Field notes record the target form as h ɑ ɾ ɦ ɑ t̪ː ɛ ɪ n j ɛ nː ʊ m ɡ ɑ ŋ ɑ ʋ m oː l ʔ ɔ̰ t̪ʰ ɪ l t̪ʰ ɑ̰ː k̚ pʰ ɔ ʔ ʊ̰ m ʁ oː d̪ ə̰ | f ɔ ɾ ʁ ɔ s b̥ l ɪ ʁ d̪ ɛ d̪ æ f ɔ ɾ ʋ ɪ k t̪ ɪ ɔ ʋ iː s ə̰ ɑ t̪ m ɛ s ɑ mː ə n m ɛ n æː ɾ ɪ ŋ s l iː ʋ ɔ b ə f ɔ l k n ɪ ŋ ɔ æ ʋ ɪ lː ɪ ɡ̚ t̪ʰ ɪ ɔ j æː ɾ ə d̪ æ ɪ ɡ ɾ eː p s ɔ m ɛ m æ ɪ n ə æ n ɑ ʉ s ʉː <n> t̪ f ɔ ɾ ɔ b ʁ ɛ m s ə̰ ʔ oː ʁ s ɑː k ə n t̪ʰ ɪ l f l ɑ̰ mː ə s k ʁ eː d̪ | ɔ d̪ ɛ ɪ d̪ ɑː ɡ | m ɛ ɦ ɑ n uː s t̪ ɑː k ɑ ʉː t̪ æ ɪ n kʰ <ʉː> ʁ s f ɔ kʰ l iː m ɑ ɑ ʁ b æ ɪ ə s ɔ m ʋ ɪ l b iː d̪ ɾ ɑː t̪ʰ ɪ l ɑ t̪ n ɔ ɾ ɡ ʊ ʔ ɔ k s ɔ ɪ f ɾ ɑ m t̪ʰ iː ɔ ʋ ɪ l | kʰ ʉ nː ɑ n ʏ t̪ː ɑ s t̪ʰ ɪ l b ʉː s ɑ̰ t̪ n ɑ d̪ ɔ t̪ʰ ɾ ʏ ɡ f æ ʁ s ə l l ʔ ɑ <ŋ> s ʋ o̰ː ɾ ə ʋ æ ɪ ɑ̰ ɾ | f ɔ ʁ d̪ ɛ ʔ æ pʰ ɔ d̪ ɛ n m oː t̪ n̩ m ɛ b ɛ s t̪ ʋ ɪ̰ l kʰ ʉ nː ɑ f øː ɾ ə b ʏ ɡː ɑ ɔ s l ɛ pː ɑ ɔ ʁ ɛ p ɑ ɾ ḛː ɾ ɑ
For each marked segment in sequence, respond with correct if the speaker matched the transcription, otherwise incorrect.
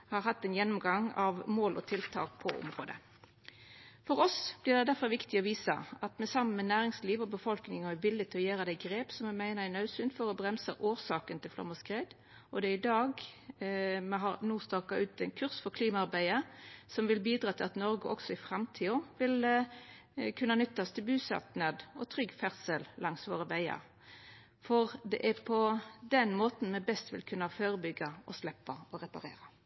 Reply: correct, incorrect, correct

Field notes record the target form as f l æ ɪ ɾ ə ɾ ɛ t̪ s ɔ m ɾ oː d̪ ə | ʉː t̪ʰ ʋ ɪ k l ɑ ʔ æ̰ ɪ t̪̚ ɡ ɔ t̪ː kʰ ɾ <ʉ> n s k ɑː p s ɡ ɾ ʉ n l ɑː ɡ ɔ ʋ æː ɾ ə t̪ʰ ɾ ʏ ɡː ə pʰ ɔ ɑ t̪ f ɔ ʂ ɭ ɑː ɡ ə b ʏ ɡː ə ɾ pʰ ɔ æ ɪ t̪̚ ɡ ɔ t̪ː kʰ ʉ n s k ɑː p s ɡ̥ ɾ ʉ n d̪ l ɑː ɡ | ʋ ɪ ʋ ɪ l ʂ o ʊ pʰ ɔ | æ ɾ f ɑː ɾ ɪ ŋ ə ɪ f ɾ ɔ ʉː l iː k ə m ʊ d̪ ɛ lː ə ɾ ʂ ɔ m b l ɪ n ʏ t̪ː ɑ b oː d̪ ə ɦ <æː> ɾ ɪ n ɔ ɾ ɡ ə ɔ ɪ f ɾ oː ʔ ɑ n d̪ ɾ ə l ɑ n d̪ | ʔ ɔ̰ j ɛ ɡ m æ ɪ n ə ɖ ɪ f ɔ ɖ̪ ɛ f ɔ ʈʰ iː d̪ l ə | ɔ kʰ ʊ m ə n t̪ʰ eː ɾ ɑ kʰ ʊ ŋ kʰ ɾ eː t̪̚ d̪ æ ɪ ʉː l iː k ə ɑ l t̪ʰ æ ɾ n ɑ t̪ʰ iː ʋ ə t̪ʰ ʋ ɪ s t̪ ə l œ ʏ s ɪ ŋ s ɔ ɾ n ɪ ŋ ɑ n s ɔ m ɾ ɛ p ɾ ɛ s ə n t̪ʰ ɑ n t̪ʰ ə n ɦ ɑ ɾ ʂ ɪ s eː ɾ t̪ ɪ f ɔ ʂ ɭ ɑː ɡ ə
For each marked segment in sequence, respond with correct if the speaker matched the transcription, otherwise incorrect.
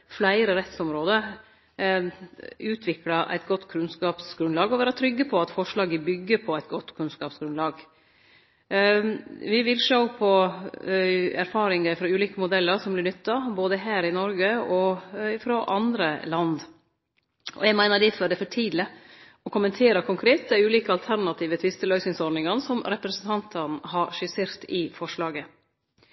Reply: correct, correct

